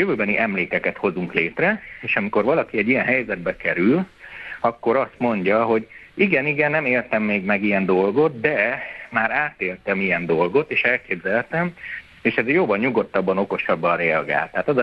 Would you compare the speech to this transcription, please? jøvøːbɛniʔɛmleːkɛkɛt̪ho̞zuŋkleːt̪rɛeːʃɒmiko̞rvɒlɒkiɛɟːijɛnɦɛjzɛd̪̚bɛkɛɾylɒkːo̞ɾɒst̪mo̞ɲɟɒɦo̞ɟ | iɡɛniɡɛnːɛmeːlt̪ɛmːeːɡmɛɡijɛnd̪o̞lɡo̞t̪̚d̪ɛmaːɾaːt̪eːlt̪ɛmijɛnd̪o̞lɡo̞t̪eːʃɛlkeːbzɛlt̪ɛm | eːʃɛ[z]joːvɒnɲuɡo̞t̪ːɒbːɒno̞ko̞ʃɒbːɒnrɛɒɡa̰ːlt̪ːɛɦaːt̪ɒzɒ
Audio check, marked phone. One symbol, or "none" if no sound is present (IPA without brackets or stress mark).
z